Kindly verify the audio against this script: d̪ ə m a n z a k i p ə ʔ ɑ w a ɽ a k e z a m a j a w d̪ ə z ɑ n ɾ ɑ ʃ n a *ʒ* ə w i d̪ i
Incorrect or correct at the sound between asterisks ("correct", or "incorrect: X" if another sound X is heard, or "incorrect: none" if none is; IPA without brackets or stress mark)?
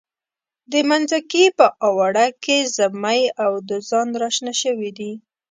incorrect: ʃ